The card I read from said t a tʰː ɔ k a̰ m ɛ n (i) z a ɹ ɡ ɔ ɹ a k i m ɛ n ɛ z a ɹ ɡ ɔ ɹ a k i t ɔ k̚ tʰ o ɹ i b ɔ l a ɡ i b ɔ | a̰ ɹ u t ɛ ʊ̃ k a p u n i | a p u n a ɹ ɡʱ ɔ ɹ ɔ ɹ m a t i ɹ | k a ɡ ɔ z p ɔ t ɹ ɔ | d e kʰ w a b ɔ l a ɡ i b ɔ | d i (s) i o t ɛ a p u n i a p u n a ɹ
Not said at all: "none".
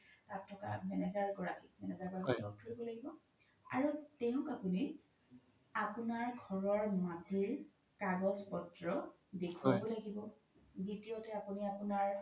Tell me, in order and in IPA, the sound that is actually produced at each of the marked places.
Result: ɛ, t

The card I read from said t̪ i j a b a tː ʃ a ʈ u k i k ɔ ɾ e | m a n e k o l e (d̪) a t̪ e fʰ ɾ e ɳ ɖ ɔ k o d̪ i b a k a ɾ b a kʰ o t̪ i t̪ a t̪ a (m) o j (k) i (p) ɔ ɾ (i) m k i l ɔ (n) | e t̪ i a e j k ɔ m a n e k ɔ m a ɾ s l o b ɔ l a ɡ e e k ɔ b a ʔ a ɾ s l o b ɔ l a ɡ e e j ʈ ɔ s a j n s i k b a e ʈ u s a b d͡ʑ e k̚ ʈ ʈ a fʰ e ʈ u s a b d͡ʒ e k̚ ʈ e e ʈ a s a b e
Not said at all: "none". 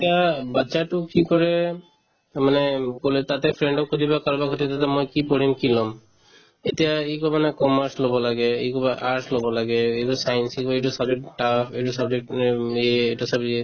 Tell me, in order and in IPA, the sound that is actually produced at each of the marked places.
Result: t̪, m, k, p, i, m

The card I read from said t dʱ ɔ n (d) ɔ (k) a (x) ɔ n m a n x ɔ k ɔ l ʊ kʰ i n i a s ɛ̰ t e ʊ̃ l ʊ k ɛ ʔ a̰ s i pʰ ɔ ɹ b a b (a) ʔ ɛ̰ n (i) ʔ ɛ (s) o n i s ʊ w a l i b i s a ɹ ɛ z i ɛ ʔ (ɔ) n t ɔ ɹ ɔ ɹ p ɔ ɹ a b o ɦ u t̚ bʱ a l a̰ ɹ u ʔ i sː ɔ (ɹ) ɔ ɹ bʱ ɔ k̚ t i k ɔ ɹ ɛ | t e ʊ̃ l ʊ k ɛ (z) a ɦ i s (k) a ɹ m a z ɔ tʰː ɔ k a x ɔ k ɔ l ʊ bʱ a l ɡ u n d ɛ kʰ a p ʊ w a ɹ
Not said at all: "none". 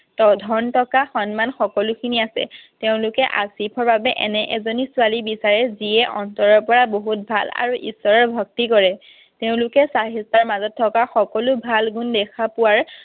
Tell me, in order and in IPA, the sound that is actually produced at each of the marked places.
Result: t, k, x, ɛ, ɛ, z, ɔ, ɹ, s, t

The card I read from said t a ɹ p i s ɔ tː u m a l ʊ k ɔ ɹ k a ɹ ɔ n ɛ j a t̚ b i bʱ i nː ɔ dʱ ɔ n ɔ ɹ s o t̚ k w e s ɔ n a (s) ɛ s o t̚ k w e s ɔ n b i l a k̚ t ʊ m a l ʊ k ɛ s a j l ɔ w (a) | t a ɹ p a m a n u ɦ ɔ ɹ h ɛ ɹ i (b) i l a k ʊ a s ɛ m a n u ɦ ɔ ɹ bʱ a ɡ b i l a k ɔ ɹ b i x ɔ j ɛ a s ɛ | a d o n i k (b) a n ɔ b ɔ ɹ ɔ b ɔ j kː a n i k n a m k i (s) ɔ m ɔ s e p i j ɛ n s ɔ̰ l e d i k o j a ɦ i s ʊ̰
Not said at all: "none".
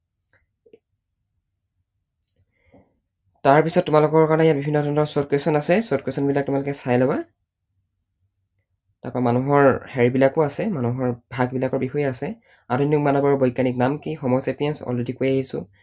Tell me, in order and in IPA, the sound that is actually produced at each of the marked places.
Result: s, a, b, m, x

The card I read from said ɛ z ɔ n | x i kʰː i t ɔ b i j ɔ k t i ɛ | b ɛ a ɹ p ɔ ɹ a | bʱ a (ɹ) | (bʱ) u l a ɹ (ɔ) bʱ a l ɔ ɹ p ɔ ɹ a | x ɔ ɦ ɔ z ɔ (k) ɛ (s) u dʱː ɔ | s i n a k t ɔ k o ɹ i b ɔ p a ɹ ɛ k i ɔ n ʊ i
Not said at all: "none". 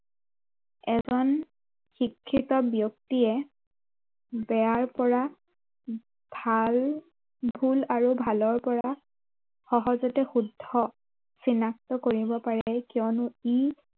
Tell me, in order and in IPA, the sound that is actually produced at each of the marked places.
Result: l, bʱ, u, t, x

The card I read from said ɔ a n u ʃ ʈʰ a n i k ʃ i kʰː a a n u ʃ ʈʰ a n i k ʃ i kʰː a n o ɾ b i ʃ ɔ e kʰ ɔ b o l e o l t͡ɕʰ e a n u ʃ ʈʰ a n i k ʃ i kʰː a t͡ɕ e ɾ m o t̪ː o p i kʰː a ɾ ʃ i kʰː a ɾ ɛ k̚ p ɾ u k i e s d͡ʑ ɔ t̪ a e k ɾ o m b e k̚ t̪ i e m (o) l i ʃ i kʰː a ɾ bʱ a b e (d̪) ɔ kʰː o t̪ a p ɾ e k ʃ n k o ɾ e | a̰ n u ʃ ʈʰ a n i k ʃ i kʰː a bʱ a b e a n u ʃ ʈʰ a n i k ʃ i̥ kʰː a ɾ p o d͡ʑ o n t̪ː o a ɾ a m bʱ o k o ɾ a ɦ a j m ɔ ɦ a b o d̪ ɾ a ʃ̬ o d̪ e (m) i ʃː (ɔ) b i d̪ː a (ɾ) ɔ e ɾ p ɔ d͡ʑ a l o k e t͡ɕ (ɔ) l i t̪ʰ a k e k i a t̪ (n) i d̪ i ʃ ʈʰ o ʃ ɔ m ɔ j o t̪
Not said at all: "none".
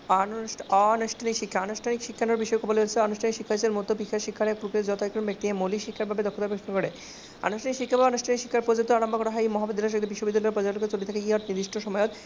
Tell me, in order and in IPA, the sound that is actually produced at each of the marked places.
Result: o, d̪, b, o, l, o, n

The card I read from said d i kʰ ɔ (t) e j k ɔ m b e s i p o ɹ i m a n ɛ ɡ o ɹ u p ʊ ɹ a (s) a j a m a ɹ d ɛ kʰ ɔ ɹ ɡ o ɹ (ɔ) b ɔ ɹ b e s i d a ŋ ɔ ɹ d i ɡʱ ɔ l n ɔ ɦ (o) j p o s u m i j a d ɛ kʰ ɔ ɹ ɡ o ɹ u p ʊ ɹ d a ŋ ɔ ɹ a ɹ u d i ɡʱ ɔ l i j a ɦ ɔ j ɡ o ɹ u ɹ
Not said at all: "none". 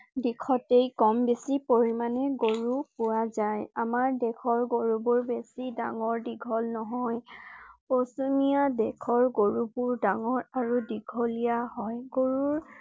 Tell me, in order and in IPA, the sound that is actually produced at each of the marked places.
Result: t, z, u, ɔ

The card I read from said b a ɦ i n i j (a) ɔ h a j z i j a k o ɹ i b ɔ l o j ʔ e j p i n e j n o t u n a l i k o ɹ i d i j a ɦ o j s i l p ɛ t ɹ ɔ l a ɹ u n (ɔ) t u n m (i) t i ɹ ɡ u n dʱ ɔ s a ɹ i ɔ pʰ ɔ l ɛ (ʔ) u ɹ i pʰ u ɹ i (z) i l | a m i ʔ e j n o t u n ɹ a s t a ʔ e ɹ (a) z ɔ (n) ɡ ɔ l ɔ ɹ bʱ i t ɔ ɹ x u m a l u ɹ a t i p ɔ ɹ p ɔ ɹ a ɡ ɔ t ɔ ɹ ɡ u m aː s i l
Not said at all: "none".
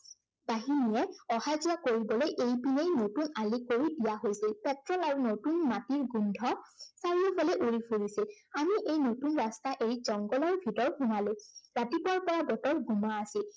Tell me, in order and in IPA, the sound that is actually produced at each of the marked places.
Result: ɛ, o, a, ʔ, s, i, ŋ

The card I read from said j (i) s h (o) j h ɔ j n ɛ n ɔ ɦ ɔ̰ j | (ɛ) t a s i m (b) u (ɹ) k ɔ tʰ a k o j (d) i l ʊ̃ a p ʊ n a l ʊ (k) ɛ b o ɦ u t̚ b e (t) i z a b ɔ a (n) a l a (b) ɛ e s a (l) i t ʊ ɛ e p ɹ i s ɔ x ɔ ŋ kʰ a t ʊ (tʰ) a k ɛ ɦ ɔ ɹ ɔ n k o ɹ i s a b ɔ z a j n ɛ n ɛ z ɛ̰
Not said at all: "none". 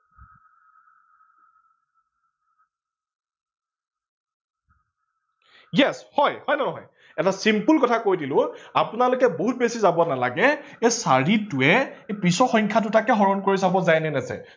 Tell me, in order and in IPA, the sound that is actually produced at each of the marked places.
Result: ɛ, ɔ, ɛ, p, l, d, k, s, n, ɡ, ɹ, t

